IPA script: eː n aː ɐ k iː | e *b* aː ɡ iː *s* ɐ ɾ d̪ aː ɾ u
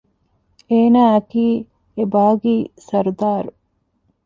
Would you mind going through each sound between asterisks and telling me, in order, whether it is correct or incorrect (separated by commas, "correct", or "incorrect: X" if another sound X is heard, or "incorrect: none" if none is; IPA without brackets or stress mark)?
correct, correct